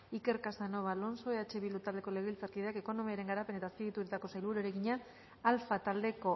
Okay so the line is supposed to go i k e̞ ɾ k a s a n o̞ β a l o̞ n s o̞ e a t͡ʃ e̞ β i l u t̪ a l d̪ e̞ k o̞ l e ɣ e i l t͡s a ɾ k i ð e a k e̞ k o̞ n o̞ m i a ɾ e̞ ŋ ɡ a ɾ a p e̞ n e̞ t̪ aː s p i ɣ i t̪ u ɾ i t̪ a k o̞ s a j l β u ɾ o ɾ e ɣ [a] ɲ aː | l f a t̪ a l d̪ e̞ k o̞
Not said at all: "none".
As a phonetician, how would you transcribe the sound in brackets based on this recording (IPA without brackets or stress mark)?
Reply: i